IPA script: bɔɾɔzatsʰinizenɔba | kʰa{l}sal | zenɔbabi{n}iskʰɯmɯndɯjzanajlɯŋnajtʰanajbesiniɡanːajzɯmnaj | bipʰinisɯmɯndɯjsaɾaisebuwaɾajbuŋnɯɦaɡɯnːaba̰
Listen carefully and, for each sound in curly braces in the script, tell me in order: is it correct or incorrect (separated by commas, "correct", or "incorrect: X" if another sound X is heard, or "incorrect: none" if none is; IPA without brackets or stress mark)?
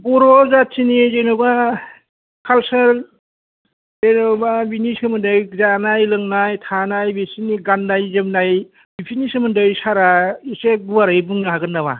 correct, correct